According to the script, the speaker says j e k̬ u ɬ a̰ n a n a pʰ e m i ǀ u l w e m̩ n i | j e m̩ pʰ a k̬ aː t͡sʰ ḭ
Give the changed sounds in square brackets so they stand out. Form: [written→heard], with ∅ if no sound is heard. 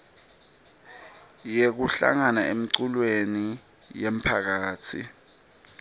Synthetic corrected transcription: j e k̬ u ɬ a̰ [n→ŋ] a n a [pʰ→∅] e m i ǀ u l w e [m̩→∅] n i | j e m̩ pʰ a k̬ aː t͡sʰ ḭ